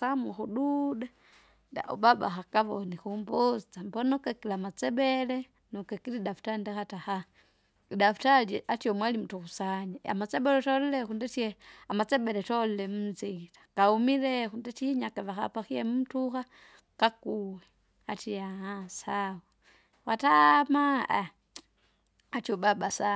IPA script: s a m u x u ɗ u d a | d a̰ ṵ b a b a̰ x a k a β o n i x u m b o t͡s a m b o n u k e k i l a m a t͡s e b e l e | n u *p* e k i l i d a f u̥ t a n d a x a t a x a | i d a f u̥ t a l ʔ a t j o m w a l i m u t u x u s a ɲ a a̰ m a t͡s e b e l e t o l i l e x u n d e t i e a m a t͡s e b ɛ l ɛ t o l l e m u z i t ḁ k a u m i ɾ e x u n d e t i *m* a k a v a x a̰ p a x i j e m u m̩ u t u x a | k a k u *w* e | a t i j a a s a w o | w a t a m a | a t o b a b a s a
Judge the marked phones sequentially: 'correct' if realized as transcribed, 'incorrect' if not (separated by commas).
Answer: incorrect, incorrect, correct